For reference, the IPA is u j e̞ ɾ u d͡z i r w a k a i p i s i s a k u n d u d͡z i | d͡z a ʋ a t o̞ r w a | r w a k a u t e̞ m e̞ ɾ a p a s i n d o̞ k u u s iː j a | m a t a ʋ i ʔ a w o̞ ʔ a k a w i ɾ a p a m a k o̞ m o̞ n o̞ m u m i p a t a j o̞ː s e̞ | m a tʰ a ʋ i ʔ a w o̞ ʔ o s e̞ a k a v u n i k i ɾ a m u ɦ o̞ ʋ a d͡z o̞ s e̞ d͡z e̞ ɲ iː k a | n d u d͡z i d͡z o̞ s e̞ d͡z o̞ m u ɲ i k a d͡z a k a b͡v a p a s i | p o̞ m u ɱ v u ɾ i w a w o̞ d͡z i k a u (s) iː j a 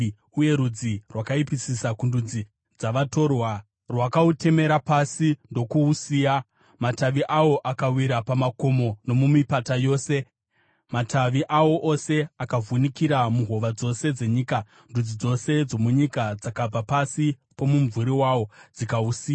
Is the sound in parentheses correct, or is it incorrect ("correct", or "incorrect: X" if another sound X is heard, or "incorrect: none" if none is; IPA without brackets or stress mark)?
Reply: correct